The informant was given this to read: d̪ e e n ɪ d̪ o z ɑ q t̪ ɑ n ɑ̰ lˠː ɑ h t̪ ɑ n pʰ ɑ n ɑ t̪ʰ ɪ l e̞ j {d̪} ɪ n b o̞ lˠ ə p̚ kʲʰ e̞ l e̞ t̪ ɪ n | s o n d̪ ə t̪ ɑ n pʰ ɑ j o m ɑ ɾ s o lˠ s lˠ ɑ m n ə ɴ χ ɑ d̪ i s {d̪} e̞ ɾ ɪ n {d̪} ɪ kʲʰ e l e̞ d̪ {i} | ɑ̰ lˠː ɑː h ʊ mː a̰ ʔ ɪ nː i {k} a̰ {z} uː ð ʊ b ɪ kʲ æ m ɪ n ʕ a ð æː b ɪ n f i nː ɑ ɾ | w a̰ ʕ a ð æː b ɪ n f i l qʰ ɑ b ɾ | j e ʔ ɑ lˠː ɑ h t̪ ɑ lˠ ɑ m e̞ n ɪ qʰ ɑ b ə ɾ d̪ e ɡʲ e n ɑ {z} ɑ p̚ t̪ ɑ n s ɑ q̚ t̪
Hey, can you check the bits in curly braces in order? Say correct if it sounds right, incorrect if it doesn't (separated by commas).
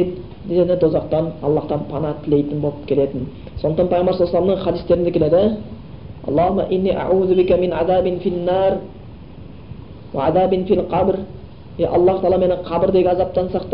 incorrect, incorrect, correct, incorrect, incorrect, incorrect, correct